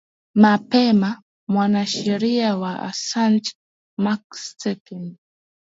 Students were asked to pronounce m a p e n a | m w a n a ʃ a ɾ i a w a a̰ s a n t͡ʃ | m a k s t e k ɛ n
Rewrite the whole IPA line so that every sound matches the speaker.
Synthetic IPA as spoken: m a p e m a | m w a n a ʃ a ɾ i a w a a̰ s a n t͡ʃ | m a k s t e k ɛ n